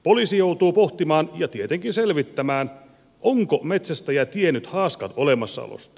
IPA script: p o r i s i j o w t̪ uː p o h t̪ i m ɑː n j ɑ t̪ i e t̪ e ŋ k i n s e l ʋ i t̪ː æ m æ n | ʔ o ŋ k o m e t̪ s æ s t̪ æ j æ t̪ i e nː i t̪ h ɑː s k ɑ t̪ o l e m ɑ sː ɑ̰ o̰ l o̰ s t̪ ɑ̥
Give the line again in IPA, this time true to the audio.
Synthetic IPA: p o l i s i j o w t̪ uː p o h t̪ i m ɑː n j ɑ t̪ i e t̪ e ŋ k i n s e l ʋ i t̪ː æ m æː n | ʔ o ŋ k o m e t̪ s æ s t̪ æ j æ t̪ i e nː y t̪ h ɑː s k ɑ t̪ o l e m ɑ sː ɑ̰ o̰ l o̰ s t̪ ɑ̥